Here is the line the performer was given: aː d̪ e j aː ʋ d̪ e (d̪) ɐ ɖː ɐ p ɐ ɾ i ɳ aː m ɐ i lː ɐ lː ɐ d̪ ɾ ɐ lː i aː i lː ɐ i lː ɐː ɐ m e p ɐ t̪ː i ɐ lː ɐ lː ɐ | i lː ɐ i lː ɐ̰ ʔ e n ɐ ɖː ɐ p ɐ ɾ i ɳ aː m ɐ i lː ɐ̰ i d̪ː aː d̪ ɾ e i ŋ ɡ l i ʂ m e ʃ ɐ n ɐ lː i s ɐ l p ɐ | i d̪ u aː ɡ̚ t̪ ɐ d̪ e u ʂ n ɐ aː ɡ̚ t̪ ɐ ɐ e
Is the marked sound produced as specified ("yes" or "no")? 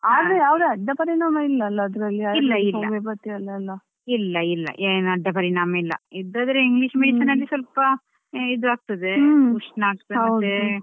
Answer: no